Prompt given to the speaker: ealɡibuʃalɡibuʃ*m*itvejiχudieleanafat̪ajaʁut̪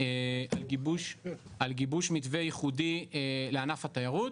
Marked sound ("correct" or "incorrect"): correct